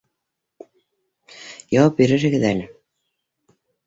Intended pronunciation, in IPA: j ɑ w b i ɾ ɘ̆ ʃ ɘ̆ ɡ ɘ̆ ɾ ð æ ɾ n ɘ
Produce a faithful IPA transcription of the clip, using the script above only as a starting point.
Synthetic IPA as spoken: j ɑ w p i ɾ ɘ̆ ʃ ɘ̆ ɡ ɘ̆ ð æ n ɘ